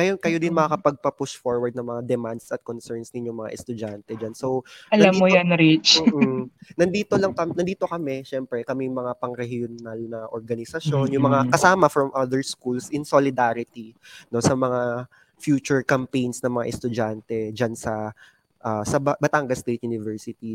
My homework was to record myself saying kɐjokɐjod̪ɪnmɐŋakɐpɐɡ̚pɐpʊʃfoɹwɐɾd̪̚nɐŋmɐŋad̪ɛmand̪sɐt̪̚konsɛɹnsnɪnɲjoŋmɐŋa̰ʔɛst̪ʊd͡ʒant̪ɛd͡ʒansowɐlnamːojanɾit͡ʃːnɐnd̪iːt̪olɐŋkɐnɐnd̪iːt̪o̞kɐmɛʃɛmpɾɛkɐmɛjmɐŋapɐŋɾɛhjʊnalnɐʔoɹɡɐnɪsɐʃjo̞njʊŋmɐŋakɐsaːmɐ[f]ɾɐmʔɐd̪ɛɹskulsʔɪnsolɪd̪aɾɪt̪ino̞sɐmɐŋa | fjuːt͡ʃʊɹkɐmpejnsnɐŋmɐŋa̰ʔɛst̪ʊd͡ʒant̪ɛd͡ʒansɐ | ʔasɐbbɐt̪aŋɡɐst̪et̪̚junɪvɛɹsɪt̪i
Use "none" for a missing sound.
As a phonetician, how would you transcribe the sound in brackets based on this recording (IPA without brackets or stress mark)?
f